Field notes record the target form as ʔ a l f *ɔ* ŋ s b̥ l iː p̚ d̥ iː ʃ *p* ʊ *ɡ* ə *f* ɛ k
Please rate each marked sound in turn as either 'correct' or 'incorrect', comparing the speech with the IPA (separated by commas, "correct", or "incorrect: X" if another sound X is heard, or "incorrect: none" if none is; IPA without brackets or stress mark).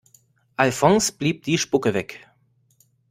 correct, correct, incorrect: k, incorrect: v